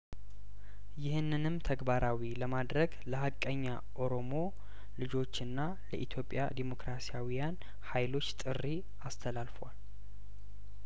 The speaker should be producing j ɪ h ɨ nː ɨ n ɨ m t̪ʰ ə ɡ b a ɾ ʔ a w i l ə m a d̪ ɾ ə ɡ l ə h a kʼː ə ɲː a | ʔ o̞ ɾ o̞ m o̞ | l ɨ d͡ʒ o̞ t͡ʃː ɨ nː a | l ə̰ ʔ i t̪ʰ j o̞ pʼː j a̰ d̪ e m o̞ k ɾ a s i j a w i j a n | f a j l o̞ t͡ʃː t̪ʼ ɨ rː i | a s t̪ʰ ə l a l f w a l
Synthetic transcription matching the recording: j ɪ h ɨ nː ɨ n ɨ m t̪ʰ ə ɡ b a ɾ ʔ a w i l ə m a d̪ ɾ ə ɡ l ə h a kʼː ə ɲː a | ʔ o̞ ɾ o̞ m o̞ | l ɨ d͡ʒ o̞ t͡ʃː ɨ nː a | l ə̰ ʔ i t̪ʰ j o̞ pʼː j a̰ d̪ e m o̞ k ɾ a s i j a w i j a n | h a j l o̞ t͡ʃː t̪ʼ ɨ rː i | a s t̪ʰ ə l a l f w a l